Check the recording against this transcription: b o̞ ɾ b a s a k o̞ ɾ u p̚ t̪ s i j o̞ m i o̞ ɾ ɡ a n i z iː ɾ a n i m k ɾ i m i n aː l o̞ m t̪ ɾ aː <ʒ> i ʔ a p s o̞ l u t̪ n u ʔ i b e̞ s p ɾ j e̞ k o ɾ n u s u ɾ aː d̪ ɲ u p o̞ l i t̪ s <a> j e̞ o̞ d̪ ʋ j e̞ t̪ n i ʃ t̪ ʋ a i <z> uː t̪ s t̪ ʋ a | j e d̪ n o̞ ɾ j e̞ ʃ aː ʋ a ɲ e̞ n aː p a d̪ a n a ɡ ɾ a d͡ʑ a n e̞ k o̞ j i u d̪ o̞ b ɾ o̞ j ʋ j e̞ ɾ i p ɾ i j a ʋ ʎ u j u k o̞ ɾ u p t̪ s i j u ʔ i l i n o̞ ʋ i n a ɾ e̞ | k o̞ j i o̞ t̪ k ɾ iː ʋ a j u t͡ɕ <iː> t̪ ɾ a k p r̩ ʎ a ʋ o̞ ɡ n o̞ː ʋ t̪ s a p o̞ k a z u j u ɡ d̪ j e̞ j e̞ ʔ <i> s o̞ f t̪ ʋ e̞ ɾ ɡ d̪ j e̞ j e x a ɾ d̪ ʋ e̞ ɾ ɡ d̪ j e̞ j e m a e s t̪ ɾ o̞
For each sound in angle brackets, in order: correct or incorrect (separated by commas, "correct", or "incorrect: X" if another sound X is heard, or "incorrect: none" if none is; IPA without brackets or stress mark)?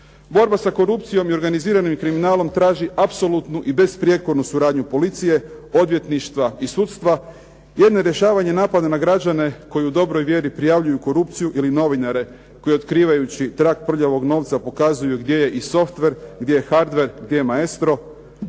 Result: correct, incorrect: i, incorrect: s, incorrect: i, correct